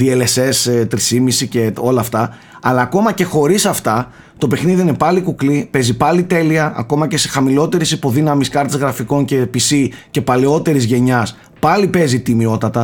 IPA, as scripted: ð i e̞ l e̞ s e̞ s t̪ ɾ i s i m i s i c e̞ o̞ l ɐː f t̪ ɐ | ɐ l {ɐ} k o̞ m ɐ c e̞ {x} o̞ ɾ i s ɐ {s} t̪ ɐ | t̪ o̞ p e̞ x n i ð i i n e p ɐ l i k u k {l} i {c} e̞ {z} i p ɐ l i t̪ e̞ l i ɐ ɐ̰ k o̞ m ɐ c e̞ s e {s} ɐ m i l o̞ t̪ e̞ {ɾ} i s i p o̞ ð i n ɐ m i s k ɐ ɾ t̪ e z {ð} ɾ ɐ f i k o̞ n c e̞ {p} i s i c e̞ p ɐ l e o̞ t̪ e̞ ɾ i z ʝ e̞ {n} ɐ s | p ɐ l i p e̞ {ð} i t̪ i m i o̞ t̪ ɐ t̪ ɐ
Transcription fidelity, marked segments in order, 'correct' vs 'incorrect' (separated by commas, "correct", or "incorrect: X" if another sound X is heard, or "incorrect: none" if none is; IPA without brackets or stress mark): incorrect: ɐː, correct, incorrect: f, correct, incorrect: p, correct, incorrect: x, correct, incorrect: ɣ, correct, incorrect: ɲ, incorrect: z